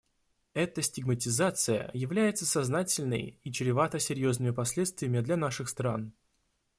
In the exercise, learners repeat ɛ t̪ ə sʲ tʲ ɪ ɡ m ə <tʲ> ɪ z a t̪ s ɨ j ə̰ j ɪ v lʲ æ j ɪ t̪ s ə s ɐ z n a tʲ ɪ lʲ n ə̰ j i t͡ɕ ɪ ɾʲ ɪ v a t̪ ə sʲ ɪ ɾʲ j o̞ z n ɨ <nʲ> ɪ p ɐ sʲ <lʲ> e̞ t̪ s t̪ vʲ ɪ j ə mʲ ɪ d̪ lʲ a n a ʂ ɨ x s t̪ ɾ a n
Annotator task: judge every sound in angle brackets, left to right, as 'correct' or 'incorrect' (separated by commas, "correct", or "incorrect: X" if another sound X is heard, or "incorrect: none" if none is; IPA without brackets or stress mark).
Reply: correct, incorrect: mʲ, correct